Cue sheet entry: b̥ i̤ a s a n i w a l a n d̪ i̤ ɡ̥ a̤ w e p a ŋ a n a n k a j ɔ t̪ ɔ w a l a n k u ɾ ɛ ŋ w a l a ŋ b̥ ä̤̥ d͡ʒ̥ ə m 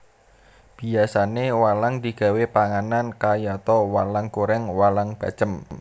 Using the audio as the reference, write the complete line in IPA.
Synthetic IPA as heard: b̥ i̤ a s a n e w a l a ŋ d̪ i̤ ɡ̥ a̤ w e p a ŋ a n a n k a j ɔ t̪ ɔ w a l a ŋ k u ɾ ɛ ŋ w a l a ŋ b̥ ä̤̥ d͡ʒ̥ ə m